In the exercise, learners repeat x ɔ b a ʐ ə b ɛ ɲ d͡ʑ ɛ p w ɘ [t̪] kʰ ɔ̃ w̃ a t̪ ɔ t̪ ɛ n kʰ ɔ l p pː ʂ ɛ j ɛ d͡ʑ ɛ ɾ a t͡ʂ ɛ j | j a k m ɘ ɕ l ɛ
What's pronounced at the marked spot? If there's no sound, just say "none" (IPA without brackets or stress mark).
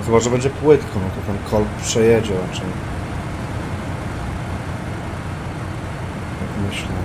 t̪